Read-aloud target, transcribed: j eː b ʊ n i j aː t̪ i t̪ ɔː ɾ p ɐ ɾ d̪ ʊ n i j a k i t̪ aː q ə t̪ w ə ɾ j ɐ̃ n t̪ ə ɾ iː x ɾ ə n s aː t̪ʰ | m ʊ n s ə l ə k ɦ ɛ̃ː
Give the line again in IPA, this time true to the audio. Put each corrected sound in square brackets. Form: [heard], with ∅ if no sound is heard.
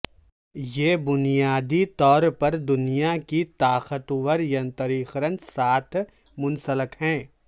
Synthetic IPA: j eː b ʊ n i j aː [d̪] i t̪ ɔː ɾ p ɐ ɾ d̪ ʊ n i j a k i t̪ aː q ə t̪ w ə ɾ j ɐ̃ n t̪ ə ɾ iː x ɾ ə n s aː t̪ʰ | m ʊ n s ə l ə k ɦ ɛ̃ː